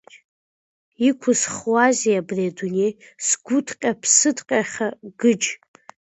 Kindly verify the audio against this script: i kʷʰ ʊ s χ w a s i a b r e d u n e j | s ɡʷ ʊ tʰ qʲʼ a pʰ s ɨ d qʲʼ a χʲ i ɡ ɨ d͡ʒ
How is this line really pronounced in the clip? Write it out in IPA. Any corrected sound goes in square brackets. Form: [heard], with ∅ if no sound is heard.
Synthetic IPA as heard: i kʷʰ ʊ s χ w a [z] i a b r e d u n e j | s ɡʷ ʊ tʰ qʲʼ a pʰ s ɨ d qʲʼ a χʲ [a] ɡ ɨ d͡ʒ